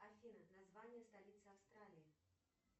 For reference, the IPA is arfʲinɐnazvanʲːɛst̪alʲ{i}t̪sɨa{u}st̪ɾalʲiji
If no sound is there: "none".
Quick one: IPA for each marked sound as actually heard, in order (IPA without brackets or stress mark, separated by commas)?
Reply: i, w